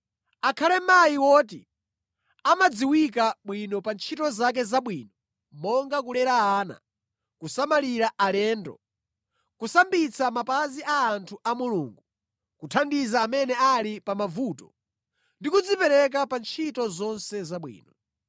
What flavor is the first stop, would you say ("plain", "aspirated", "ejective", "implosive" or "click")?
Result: aspirated